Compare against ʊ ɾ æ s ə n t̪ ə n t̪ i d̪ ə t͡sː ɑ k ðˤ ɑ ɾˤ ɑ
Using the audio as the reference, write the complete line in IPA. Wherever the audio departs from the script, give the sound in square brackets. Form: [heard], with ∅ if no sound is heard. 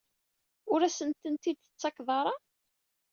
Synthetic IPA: ʊ ɾ æ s ə n t̪ ə n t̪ i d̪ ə t͡sː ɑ k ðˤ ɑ ɾˤ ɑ

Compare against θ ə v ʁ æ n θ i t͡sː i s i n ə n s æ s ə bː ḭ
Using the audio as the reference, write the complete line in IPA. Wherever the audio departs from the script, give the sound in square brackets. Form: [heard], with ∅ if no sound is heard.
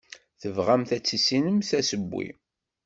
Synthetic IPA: θ ə v ʁ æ [m] θ [æ] t͡sː i s i n ə [m] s æ s ə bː ḭ

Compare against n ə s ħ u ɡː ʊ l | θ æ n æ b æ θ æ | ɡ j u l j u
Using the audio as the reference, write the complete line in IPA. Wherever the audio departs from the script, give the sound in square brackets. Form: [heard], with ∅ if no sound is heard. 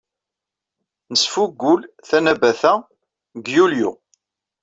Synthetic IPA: n ə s [f] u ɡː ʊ l | θ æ n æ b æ θ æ | ɡ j u l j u

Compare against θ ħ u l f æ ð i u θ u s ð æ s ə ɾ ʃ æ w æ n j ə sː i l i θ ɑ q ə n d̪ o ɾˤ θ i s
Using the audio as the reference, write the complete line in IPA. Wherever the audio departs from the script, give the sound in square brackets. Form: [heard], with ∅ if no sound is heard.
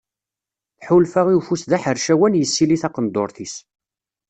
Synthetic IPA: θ ħ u l f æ [ʁ] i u [f] u s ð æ [ħ] ə ɾ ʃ æ w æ n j ə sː i l i θ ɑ q ə n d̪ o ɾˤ θ i s

